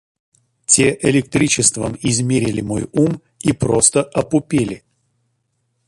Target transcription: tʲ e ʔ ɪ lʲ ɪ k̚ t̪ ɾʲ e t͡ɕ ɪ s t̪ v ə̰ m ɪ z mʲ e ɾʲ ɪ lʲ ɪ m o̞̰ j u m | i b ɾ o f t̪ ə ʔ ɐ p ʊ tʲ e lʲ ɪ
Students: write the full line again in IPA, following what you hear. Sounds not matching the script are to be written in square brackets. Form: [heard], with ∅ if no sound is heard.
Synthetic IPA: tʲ e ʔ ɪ lʲ ɪ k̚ t̪ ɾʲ [i] t͡ɕ ɪ s t̪ v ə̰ m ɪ z mʲ e ɾʲ ɪ lʲ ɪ m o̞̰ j u m | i [p] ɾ o [s] t̪ ə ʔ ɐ p ʊ [pʲ] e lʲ ɪ

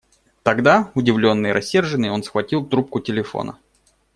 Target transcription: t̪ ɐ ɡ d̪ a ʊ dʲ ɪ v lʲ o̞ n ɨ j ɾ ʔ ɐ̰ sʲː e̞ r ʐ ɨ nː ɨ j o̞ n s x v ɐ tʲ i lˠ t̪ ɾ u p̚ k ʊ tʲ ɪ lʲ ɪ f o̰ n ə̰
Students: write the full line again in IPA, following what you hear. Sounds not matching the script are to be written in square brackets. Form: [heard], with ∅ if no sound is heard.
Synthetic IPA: t̪ ɐ ɡ d̪ a ʊ dʲ ɪ v lʲ o̞ [nː] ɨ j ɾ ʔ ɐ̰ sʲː e̞ r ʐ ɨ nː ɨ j o̞ n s x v ɐ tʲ i lˠ t̪ ɾ u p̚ k ʊ tʲ ɪ lʲ ɪ f o̰ n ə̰

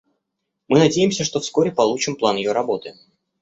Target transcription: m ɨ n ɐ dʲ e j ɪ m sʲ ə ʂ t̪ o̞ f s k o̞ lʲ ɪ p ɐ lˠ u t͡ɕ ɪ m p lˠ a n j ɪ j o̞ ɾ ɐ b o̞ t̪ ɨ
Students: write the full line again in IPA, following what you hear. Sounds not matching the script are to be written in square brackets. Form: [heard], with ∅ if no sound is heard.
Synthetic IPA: m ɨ n ɐ dʲ e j ɪ m sʲ ə ʂ t̪ o̞ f s k o̞ [ɾʲ] ɪ p ɐ lˠ u t͡ɕ ɪ m p lˠ a n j ɪ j o̞ ɾ ɐ b o̞ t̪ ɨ

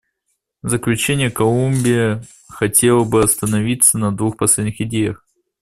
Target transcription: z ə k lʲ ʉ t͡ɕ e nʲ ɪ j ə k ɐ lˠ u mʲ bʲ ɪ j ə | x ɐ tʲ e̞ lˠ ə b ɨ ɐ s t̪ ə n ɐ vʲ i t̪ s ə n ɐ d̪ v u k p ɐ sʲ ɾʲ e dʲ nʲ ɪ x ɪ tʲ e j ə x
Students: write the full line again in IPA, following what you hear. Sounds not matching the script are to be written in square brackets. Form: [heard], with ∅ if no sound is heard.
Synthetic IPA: z ə k lʲ ʉ t͡ɕ e nʲ ɪ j ə k ɐ lˠ u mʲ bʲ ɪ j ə | x ɐ tʲ e̞ lˠ ə b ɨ ɐ s t̪ ə n ɐ vʲ i t̪ s ə n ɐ d̪ v u [x] p ɐ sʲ [lʲ] e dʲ nʲ ɪ x ɪ [dʲ] e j ə x

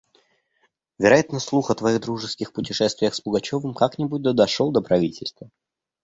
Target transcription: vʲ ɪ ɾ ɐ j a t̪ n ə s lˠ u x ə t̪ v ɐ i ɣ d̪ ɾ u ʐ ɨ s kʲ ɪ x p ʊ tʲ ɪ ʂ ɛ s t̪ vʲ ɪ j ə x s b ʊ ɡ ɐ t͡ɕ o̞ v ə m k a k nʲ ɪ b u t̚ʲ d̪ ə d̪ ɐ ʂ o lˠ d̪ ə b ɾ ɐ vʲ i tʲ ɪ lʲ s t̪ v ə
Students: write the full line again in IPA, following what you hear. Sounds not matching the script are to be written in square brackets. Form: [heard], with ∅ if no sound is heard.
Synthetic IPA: vʲ ɪ ɾ ɐ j a t̪ n ə s lˠ u x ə t̪ v ɐ i ɣ d̪ ɾ u ʐ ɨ s kʲ ɪ x p ʊ tʲ ɪ ʂ ɛ s t̪ vʲ ɪ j ə x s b ʊ ɡ ɐ t͡ɕ o̞ v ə m k a k nʲ ɪ b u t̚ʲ d̪ ə d̪ ɐ ʂ o lˠ d̪ ə [p] ɾ ɐ vʲ i tʲ ɪ lʲ s t̪ v ə

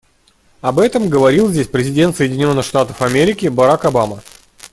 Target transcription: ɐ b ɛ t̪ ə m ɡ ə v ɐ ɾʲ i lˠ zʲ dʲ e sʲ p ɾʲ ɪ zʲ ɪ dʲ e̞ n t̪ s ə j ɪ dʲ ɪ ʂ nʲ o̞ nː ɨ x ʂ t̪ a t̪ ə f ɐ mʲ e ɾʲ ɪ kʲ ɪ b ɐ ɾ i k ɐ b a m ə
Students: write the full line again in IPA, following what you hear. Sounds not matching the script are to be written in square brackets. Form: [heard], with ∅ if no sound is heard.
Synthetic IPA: ɐ b ɛ t̪ ə m ɡ ə v ɐ ɾʲ i lˠ zʲ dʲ e sʲ p ɾʲ ɪ zʲ ɪ dʲ e̞ n t̪ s ə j ɪ dʲ ɪ [∅] nʲ o̞ nː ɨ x ʂ t̪ a t̪ ə f ɐ mʲ e ɾʲ ɪ kʲ ɪ b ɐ ɾ [a] k ɐ b a m ə

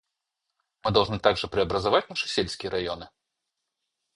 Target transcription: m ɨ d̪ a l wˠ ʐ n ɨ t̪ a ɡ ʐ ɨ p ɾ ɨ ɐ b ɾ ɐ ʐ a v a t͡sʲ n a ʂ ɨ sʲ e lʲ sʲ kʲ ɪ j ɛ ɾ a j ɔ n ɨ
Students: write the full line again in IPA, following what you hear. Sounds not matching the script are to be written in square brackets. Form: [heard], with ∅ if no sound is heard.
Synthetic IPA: m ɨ d̪ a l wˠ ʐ n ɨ t̪ a ɡ ʐ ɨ p ɾ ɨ ɐ b ɾ ɐ [z] a v a t͡sʲ n a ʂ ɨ sʲ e lʲ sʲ kʲ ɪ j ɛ ɾ a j ɔ n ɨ

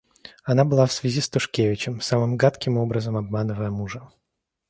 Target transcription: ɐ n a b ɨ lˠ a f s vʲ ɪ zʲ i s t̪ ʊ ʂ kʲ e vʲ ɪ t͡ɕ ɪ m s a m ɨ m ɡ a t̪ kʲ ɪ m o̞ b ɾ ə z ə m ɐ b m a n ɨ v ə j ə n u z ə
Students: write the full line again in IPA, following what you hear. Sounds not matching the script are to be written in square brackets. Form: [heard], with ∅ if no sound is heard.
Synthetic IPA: ɐ n a b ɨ lˠ a f s vʲ ɪ zʲ i s t̪ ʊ ʂ kʲ e vʲ ɪ t͡ɕ ɪ m s a m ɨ m ɡ a t̪ kʲ ɪ m o̞ b ɾ ə z ə m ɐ b m a n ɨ v ə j ə [m] u [ʐ] ə

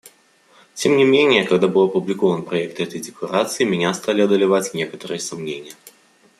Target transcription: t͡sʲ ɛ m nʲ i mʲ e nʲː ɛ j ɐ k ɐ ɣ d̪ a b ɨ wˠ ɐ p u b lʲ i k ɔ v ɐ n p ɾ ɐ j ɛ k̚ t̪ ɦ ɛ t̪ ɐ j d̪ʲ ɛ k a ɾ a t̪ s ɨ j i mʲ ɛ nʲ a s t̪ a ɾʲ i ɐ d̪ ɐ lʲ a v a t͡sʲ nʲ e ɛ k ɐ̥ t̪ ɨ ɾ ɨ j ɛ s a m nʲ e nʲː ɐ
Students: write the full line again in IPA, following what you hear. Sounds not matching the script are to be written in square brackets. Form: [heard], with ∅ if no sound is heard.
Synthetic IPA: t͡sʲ ɛ m nʲ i mʲ e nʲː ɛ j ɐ k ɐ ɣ d̪ a b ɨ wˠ ɐ p u b lʲ i k ɔ v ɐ n p ɾ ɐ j ɛ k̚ t̪ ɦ ɛ t̪ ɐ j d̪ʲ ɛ k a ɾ a t̪ s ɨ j i mʲ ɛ nʲ a s t̪ a [lʲ] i ɐ d̪ ɐ lʲ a v a t͡sʲ nʲ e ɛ k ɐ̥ t̪ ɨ ɾ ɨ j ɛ s a m nʲ e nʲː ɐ

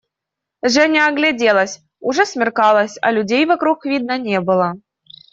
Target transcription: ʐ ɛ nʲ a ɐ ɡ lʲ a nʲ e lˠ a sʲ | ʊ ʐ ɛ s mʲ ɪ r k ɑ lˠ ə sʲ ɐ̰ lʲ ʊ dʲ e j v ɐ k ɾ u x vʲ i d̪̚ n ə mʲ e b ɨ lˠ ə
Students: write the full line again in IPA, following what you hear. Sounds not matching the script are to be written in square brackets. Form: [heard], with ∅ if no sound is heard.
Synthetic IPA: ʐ ɛ nʲ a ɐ ɡ lʲ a [dʲ] e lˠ [ə] sʲ | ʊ ʐ ɛ s mʲ ɪ r k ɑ lˠ ə sʲ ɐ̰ lʲ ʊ dʲ e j v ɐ k ɾ u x vʲ i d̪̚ n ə [nʲ] e b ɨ lˠ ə

